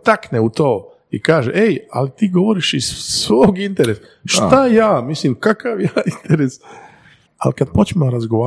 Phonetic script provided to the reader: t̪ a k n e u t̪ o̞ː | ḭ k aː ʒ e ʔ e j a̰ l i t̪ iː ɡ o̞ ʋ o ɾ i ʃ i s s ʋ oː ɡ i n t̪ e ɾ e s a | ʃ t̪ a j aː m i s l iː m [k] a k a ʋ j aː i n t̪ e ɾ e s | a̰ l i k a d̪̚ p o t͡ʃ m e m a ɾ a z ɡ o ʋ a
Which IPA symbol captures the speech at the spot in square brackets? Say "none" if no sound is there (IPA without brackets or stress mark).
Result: k